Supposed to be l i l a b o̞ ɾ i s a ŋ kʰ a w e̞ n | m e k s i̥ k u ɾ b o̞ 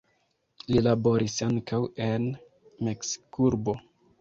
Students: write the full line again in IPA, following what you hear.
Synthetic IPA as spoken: l i l a b o̞ ɾ i s a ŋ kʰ a w e̞ n | m e k s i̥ k u ɾ b o̞